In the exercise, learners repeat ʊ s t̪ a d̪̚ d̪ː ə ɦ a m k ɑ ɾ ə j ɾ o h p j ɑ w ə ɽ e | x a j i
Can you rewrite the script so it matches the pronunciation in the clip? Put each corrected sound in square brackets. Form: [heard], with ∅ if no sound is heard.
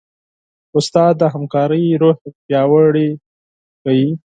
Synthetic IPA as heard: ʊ s t̪ [ɑ] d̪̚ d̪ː ə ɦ a m k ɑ ɾ ə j ɾ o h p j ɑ w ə ɽ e | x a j i

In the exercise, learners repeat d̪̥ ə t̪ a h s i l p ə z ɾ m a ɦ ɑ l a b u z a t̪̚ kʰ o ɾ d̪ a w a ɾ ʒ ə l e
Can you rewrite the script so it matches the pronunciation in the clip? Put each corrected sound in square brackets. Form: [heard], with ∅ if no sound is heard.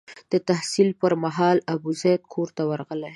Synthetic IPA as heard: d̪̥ ə t̪ a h s i l p ə [∅] ɾ m a ɦ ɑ l a b u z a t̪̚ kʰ o ɾ [t̪] a w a ɾ [ɣ] ə l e

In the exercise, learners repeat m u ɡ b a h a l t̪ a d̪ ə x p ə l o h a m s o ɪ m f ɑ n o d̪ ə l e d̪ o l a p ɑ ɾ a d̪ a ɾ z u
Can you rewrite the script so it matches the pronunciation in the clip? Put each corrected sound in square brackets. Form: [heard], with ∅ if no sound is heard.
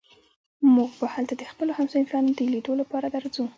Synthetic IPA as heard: m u ɡ b a h a l t̪ a d̪ ə x p ə l o h a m s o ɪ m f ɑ n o d̪ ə l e d̪ o l a p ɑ ɾ a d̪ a ɾ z u

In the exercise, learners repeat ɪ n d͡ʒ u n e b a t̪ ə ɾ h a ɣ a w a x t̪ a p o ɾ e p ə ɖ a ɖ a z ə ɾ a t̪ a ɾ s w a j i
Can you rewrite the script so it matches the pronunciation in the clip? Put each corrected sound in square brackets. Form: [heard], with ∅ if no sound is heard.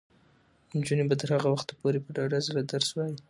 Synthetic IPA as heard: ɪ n d͡ʒ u n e b a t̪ ə ɾ h a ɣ a w a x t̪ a p o ɾ e p ə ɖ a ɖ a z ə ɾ a [d̪] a ɾ s w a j i

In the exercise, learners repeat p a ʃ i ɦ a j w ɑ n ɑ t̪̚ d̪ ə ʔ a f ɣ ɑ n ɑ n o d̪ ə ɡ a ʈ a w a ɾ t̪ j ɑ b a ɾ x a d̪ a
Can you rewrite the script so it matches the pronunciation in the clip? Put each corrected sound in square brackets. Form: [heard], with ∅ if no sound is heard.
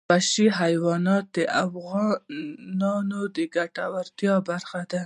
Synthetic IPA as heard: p a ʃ i ɦ a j w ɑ n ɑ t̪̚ d̪ ə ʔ a f ɣ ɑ n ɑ n o d̪ ə ɡ a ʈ a w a ɾ t̪ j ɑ b a ɾ x a d̪ a

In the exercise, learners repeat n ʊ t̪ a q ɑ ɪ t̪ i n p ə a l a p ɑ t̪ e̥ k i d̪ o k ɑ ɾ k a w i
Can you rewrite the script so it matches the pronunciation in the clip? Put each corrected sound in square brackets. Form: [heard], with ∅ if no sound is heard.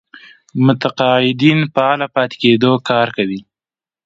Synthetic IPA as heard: [m] ʊ t̪ a q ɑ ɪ [d̪] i n p ə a l a p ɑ t̪ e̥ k [e] d̪ o k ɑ ɾ k a w i

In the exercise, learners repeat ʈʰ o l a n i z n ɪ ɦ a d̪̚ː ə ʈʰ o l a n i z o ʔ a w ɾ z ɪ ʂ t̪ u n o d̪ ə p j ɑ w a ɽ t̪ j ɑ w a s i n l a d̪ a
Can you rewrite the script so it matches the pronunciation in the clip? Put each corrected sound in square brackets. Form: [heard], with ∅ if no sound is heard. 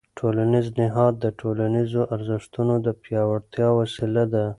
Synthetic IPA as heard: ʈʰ o l a n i z n ɪ ɦ [ɑ] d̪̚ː ə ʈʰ o l a n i z o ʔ a [∅] ɾ z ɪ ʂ t̪ u n o d̪ ə p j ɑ w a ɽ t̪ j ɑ w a s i [∅] l a d̪ a

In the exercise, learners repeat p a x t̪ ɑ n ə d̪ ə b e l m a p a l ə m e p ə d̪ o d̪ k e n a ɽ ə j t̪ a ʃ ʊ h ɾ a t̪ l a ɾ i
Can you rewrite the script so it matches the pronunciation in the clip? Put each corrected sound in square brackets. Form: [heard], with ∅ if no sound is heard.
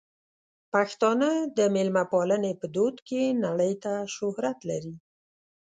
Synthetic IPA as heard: p a x t̪ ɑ n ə d̪ ə [m] e l m a p [ɑ] l ə [n] e p ə d̪ o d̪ k e n a ɽ ə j t̪ a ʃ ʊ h ɾ a t̪ l a ɾ i

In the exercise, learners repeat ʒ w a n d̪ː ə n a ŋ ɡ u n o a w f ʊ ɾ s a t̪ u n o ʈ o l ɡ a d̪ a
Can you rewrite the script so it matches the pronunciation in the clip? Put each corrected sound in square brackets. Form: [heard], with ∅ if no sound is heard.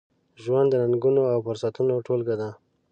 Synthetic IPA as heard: ʒ w a n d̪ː ə n a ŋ ɡ u n o a w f ʊ ɾ s a t̪ u n o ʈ o l ɡ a d̪ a

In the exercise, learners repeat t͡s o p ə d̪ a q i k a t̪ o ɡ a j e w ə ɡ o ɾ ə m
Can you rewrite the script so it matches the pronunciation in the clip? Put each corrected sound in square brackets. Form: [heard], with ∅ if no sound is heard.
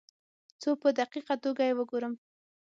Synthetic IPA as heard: t͡s o p ə d̪ a q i [q] a t̪ o ɡ a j e w ə ɡ o ɾ ə m

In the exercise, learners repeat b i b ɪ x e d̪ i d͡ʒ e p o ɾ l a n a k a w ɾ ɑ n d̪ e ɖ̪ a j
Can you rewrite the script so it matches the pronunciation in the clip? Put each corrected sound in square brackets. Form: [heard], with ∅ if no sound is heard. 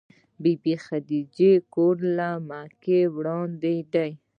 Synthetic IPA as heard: b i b [i] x [a] d̪ i d͡ʒ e [k] o ɾ l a [m] a k [e] w [ɽ] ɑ n d̪ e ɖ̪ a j

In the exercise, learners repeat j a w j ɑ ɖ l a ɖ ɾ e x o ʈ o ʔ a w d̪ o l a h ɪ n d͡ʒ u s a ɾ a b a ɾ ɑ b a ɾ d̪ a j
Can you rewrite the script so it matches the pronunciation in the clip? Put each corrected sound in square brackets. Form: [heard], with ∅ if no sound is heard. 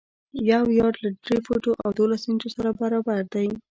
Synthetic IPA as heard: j a w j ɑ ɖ l a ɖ ɾ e [f] o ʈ o ʔ a w d̪ o l a [s] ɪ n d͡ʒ [o] s a ɾ a b a ɾ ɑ b a ɾ d̪ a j

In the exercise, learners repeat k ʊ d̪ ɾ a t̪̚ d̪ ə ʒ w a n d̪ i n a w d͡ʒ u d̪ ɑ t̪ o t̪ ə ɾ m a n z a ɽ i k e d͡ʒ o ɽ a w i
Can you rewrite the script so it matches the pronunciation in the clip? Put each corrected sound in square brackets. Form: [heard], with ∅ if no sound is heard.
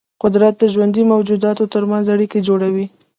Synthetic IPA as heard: [q] ʊ d̪ ɾ a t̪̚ d̪ ə ʒ w a n d̪ i [m] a w d͡ʒ u d̪ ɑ t̪ o t̪ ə ɾ m a n z a ɽ i k e d͡ʒ o ɽ a w i

